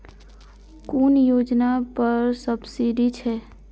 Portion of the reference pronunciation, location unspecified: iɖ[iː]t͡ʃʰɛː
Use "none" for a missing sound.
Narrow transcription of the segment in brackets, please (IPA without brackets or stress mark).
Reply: i